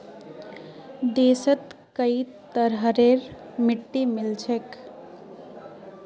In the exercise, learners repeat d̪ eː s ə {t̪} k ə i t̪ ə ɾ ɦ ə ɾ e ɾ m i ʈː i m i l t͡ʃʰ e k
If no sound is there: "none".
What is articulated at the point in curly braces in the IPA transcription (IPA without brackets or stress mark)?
t̪